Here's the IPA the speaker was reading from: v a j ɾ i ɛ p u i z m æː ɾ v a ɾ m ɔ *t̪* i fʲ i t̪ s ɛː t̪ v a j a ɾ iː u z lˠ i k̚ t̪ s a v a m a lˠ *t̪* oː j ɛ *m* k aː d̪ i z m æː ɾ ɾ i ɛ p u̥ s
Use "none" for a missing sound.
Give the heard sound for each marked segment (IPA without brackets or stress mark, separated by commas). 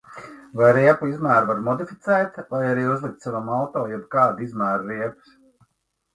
d̪, t̪, b